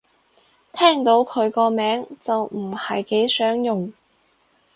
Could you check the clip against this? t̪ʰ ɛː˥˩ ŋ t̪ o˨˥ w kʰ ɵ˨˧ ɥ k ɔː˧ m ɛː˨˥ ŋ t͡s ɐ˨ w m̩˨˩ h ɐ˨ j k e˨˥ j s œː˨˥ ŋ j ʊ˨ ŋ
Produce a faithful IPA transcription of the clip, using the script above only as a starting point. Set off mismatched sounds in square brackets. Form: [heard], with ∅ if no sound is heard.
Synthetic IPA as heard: t̪ʰ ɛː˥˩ ŋ t̪ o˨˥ w kʰ ɵ˨˧ ɥ k ɔː˧ m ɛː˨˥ ŋ t͡s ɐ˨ w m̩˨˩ h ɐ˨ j k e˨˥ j s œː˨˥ ŋ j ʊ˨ ŋ